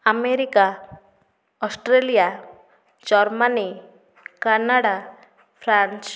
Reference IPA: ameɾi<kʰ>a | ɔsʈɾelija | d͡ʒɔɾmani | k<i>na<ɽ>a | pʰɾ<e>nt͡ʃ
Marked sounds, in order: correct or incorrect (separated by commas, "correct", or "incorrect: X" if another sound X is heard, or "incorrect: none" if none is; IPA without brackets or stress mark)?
incorrect: k, incorrect: a, correct, incorrect: a